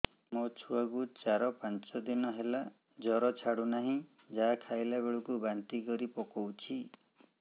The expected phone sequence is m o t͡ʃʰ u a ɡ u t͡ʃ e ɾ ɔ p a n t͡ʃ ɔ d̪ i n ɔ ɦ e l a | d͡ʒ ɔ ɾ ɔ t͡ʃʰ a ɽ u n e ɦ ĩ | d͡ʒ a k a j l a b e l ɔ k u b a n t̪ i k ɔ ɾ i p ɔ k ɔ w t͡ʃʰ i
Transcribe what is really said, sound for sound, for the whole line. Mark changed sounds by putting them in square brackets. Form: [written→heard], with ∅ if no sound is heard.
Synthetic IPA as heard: m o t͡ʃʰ u a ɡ u t͡ʃ [e→a] ɾ ɔ p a n t͡ʃ ɔ d̪ i n ɔ ɦ e l a | d͡ʒ ɔ ɾ ɔ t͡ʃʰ a ɽ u n [e→a] ɦ ĩ | d͡ʒ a [k→kʰ] a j l a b e [l→ɭ] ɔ k u b a n t̪ i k ɔ ɾ i p ɔ k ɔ w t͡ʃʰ i